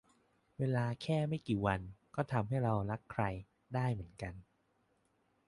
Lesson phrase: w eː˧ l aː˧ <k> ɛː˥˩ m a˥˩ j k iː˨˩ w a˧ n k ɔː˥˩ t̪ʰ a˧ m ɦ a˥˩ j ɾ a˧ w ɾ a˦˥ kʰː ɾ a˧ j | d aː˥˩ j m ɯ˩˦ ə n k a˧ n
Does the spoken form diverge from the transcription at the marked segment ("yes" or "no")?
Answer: yes